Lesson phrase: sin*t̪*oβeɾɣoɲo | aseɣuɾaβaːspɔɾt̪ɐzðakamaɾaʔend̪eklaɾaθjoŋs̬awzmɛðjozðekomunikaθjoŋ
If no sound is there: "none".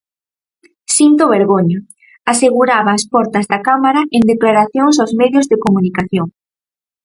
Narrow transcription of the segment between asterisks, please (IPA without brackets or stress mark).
t̪